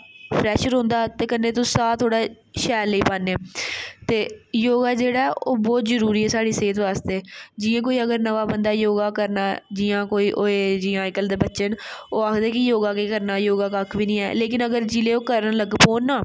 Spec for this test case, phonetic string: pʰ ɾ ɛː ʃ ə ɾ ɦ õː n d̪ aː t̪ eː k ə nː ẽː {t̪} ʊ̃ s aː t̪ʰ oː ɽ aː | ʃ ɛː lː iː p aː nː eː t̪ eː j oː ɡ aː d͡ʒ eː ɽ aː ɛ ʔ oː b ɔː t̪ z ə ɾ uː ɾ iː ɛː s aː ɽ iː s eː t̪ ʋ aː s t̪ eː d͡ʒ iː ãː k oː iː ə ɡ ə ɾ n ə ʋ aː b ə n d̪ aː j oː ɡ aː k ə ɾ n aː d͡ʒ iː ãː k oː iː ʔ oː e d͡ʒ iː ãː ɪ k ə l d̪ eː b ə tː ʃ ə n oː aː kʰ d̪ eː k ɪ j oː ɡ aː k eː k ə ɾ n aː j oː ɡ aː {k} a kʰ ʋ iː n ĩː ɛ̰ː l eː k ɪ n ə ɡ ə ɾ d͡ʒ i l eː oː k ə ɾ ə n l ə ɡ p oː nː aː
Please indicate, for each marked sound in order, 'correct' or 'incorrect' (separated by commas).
correct, correct